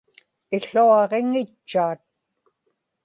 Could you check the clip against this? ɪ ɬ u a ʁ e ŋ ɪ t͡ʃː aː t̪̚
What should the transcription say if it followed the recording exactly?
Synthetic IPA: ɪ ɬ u ɑ ʁ e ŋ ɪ t͡ʃː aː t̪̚

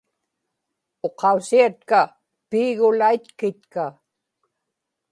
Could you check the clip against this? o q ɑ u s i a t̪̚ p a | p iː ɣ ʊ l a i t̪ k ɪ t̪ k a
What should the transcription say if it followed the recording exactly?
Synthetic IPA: o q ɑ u s i a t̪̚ k a | p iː ɣ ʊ l a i t̪ k ɪ t̪ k a

